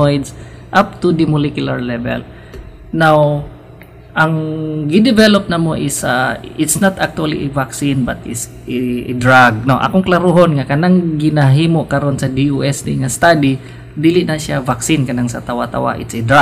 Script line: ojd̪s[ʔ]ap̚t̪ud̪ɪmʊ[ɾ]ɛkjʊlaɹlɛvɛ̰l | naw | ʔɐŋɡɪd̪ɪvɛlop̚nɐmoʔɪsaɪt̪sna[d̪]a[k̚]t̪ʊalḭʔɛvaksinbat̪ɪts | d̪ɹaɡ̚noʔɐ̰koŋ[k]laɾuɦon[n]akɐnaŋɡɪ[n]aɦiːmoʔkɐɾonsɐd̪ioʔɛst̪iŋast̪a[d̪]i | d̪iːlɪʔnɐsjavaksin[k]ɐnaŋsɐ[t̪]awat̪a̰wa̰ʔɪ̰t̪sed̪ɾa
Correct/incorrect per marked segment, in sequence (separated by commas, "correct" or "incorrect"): correct, incorrect, incorrect, correct, correct, incorrect, correct, correct, correct, correct